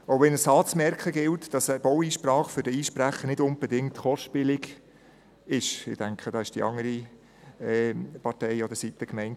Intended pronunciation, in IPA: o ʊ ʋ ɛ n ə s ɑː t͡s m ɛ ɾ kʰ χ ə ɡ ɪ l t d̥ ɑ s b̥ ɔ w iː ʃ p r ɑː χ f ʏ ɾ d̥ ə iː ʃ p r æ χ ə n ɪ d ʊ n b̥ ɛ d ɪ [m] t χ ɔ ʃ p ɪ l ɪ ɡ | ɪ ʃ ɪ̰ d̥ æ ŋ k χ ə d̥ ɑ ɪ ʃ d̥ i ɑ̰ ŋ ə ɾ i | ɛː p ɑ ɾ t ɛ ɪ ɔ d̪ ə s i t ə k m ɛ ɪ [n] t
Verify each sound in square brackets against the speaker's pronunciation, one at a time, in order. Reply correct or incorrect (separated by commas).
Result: incorrect, correct